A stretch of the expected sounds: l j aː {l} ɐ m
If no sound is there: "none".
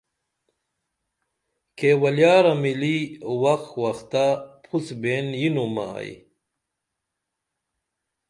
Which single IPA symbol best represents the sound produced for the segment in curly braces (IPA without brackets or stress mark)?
ɾ